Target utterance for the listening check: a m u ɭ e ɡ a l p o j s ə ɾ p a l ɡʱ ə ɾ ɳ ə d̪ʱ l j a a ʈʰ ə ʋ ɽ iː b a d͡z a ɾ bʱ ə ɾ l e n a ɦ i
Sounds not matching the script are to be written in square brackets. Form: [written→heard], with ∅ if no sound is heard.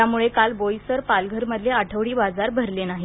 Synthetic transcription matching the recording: a m u ɭ e [ɡ→k] a l [p→b] o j s ə ɾ p a l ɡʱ ə ɾ [ɳ→m] ə d̪ʱ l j [a→e] a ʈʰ ə ʋ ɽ iː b a d͡z a ɾ bʱ ə ɾ l e n a ɦ i